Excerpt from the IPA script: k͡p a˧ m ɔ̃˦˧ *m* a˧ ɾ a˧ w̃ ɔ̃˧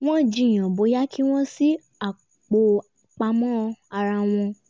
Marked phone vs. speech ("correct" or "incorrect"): incorrect